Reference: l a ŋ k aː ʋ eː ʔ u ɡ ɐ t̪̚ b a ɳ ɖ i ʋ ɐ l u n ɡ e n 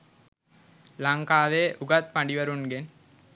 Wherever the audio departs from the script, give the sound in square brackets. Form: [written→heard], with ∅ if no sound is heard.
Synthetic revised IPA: l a ŋ k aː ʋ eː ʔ u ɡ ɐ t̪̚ [b→p] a ɳ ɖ i ʋ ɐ [l→ɾ] u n ɡ e n